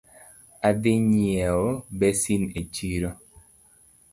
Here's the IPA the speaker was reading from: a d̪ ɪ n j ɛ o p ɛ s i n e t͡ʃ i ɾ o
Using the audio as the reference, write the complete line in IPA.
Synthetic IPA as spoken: a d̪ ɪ ɲ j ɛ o b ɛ s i n e t͡ʃ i ɾ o

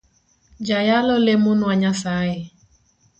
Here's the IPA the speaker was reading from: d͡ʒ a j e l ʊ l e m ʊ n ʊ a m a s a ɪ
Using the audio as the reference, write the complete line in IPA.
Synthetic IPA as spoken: d͡ʒ a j a l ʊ l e m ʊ n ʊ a ɲ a s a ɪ

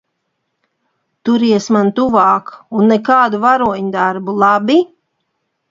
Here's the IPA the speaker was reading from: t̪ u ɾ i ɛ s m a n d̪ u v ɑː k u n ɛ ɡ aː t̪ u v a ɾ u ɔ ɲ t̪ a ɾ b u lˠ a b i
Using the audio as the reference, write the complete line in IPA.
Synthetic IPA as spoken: t̪ u ɾ i ɛ s m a n t̪ u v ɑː k u nː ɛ k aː d̪ u v a ɾ u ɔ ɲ d̪ a ɾ b u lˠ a b i

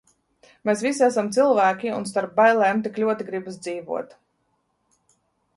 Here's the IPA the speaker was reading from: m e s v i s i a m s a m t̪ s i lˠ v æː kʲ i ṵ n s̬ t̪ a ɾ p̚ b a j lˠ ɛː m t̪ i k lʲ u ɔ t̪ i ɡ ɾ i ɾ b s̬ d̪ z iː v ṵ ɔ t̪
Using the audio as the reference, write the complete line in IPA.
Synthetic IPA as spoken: m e s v i s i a s a m t̪ s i lˠ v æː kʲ i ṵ n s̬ t̪ a ɾ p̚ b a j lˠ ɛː m t̪ i k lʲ u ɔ t̪ i ɡ ɾ i b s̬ d̪ z iː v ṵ ɔ t̪

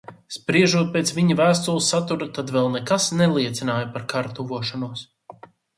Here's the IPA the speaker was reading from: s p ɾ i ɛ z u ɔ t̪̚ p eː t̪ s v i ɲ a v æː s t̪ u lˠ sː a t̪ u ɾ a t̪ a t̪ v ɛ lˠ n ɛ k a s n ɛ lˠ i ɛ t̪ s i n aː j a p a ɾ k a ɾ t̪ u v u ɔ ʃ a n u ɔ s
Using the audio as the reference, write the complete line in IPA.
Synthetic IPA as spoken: s p ɾ i ɛ ʒ u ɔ t̪̚ p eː t̪ s v i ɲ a v æː s t̪ u lˠ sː a t̪ u ɾ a t̪ a d̪ v ɛ lˠ n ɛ k a s n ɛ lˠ i ɛ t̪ s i n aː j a p a ɾ k a ɾ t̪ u v u ɔ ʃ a n u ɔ s

